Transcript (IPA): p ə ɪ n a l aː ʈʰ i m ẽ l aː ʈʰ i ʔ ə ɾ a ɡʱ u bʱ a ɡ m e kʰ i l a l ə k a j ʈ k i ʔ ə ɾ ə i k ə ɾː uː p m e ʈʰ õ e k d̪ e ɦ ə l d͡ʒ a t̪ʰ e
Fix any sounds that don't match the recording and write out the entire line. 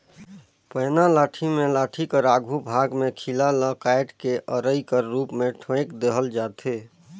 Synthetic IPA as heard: p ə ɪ n a l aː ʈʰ i m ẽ l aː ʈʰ i k ə ɾ a ɡʱ u bʱ a ɡ m e kʰ i l a l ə k a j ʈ k e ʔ ə ɾ ə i k ə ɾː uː p m e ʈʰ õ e k d̪ e ɦ ə l d͡ʒ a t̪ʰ e